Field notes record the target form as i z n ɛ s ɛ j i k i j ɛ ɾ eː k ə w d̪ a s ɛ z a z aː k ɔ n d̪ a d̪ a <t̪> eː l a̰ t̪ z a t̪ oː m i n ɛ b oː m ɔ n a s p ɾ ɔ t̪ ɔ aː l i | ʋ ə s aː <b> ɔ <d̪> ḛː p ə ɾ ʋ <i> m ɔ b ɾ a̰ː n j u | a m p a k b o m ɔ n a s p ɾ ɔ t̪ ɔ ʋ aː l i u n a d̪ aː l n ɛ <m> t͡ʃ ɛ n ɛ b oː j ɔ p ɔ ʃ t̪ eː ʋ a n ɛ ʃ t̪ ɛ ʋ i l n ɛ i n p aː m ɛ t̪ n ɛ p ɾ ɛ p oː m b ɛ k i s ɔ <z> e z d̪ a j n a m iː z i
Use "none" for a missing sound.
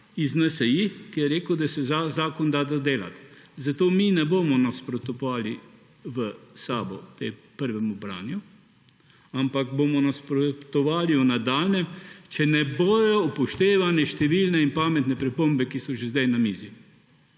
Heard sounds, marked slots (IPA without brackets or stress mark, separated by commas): d̪, b, t̪, ɛ, m, ʒ